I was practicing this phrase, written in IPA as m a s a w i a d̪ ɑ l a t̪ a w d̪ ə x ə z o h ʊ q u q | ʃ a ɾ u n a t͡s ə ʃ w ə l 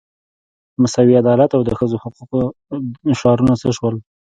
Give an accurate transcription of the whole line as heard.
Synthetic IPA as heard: m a s a w i a d̪ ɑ l a t̪ a w d̪ ə x ə z o h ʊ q u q | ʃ ɑ ɾ u n a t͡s ə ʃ w ə l